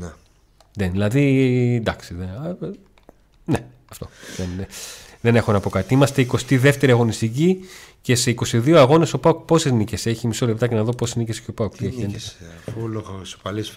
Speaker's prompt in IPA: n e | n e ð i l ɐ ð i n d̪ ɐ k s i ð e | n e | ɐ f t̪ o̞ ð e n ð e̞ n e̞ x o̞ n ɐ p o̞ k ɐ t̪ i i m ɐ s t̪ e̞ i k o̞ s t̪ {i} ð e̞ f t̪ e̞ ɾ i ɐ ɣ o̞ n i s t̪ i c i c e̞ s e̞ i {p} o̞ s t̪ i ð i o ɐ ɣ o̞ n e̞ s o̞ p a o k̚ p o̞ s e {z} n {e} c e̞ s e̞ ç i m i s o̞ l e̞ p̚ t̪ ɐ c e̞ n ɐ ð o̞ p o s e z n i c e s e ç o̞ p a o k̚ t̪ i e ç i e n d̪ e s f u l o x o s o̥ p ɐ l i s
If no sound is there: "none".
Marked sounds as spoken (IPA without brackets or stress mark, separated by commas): i, k, z, i